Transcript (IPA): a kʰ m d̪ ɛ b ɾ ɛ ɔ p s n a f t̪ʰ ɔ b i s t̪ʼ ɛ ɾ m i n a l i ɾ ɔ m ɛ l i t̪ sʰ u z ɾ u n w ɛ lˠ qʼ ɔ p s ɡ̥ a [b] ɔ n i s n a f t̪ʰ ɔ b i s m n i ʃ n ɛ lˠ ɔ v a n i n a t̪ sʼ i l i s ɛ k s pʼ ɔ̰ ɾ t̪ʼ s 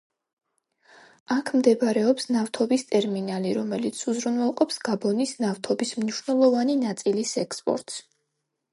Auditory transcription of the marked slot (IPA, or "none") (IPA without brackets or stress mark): b